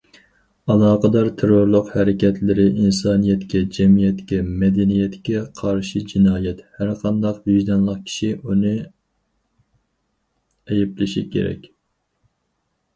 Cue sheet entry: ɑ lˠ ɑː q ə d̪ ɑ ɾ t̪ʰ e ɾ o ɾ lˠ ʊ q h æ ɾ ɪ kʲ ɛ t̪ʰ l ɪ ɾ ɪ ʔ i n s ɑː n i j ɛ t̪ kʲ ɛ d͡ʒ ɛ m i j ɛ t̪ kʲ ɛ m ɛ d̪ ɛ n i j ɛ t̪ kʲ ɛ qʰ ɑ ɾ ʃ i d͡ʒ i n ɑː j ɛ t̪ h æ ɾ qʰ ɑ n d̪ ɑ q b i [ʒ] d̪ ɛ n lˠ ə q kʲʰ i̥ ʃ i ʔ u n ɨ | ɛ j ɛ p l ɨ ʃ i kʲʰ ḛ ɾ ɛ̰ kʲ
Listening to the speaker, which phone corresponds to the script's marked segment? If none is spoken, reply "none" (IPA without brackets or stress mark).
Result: ʒ